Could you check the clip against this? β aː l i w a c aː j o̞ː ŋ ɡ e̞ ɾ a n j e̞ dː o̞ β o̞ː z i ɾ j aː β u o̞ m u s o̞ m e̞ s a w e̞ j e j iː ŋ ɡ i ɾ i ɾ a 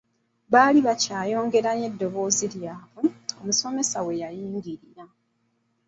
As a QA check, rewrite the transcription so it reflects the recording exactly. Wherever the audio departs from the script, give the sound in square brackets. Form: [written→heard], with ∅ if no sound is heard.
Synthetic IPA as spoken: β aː l i [w→β] a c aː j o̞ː ŋ ɡ e̞ ɾ a n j e̞ dː o̞ β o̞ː z i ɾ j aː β u o̞ m u s o̞ m e̞ s a w e̞ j [e→a] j iː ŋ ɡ i ɾ i ɾ a

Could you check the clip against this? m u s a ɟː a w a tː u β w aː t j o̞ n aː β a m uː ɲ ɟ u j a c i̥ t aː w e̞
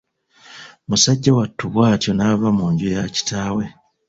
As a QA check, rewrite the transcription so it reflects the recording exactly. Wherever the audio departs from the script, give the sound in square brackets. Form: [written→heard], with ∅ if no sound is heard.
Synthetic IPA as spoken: m u s a ɟː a w a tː u β w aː t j o̞ n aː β a m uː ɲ ɟ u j a c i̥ t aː w e̞

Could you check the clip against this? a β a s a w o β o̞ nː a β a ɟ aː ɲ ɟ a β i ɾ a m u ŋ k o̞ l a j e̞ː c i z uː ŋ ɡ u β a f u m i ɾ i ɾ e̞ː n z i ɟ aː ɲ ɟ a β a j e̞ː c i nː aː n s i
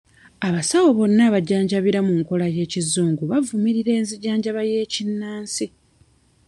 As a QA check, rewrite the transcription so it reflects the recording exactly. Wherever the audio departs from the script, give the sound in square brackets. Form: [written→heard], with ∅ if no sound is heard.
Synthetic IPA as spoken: a β a s a w o β o̞ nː a β a ɟ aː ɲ ɟ a β i ɾ a m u ŋ k o̞ l a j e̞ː c i z uː ŋ ɡ u β a [f→v] u m i ɾ i ɾ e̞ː n z i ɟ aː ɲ ɟ a β a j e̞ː c i nː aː n s i

